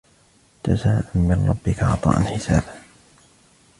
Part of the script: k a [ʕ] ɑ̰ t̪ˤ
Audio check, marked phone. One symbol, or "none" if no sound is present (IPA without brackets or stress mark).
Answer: ʕ